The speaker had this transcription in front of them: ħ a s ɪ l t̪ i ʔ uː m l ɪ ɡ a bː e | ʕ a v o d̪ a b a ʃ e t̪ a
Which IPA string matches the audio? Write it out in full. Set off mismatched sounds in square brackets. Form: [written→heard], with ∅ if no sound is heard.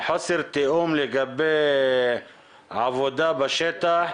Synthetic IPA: ħ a s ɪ [l→ɾ] t̪ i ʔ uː m l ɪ ɡ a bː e | ʕ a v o d̪ a b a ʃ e t̪ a